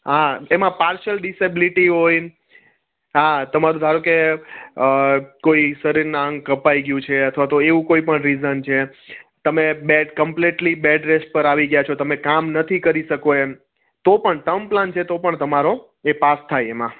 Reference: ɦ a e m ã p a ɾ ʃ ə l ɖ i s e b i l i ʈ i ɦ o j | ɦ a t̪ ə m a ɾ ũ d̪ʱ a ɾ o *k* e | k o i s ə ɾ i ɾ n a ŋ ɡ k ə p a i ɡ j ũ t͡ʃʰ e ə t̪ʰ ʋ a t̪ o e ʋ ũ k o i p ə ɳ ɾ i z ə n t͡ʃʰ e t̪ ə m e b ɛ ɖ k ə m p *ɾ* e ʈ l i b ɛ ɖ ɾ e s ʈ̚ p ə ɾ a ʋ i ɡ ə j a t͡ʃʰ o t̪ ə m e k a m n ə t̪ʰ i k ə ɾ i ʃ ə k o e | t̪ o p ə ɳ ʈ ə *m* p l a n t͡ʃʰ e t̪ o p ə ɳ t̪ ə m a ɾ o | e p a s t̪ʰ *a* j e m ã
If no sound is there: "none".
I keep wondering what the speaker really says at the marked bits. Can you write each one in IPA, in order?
k, l, m, a

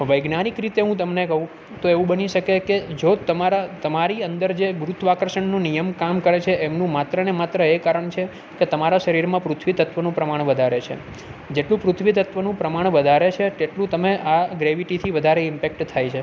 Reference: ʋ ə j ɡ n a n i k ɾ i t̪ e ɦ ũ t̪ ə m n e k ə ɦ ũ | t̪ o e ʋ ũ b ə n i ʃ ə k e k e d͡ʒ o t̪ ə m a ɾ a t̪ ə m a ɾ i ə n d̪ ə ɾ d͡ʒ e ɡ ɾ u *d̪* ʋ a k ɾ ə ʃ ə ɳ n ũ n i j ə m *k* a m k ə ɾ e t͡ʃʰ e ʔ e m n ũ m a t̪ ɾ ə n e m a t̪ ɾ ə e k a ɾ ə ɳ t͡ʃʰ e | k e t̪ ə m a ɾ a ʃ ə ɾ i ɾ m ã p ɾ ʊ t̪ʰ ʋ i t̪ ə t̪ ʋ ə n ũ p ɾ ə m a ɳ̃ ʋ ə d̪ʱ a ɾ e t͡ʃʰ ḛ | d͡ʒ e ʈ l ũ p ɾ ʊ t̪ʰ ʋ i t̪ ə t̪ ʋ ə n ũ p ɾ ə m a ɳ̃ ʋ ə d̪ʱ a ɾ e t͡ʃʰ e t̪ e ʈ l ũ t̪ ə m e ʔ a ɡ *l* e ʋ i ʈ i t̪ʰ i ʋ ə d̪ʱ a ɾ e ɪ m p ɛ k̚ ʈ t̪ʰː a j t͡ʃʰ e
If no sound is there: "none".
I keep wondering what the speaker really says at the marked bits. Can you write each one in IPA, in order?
t̪, k, ɾ

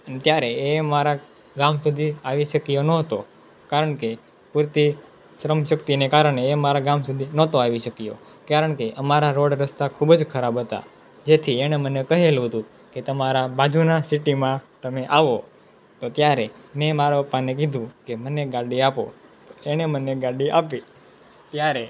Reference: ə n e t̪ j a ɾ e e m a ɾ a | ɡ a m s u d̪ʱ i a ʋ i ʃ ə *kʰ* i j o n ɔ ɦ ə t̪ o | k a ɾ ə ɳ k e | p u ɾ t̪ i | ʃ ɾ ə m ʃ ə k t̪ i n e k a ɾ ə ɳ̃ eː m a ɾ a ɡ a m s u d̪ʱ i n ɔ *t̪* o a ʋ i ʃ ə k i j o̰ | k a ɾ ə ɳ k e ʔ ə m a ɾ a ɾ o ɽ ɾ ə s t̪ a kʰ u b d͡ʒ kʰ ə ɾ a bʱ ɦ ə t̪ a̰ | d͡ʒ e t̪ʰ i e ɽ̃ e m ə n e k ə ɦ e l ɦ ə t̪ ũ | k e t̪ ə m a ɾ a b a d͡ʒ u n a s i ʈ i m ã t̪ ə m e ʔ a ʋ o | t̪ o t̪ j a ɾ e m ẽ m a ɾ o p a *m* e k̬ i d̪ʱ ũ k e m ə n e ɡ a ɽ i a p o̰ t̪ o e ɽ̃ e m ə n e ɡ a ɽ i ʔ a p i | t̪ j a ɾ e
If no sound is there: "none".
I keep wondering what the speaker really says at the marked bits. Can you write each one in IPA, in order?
k, t̪, n

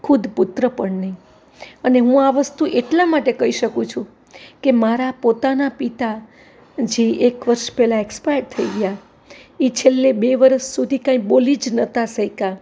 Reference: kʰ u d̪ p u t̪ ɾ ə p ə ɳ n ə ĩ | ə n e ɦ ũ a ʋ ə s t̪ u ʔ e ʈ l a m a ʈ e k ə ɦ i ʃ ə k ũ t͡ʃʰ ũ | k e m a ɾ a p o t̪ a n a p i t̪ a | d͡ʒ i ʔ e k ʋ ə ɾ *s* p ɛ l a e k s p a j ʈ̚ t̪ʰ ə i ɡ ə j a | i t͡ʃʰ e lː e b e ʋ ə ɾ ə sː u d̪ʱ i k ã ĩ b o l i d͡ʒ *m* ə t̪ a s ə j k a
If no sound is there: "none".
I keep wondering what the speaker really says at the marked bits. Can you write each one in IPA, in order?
ʃ, n

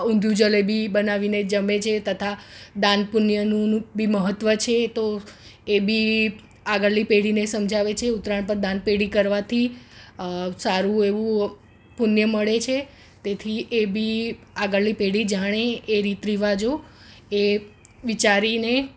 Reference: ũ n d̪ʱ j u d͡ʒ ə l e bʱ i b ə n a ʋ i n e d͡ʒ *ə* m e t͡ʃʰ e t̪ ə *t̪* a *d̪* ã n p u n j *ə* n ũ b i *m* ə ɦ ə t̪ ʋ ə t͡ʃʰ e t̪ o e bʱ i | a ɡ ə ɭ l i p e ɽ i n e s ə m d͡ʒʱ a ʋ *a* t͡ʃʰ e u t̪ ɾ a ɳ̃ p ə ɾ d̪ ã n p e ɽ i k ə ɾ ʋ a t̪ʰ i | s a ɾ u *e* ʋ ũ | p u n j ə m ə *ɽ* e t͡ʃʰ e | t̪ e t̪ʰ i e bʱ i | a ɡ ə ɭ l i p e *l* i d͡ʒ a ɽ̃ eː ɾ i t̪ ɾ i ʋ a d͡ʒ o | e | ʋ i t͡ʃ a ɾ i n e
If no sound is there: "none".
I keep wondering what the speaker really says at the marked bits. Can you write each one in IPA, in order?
ə, t̪ʰ, d̪, ə, m, e, e, ɭ, ɽ

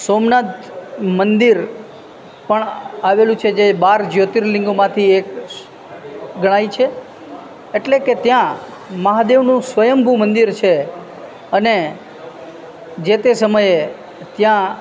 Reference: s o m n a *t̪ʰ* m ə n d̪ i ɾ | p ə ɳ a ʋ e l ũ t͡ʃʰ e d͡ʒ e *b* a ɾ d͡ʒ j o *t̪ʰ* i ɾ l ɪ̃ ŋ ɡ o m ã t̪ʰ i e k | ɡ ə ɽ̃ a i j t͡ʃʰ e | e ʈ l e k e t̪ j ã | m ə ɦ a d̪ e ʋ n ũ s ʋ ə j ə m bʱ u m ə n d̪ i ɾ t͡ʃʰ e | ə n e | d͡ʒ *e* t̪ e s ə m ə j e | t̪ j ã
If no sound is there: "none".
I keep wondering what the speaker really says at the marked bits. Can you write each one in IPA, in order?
t̪, b, t̪, e

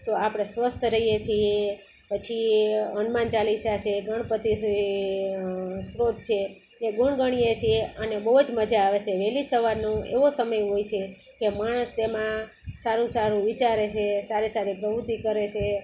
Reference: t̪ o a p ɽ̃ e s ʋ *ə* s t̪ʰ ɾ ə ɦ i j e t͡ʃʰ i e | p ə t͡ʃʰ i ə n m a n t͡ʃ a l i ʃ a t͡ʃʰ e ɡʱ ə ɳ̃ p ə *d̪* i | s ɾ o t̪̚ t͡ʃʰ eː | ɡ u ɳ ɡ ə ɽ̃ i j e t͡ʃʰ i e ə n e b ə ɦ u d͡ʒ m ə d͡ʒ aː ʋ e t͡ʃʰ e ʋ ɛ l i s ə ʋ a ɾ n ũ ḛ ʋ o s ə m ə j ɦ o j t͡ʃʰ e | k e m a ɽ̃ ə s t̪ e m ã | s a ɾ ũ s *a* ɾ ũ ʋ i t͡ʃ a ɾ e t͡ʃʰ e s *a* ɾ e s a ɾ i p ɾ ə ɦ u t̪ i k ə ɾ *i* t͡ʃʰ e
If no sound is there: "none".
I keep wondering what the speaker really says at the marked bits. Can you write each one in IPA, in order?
ə, t̪, a, a, e

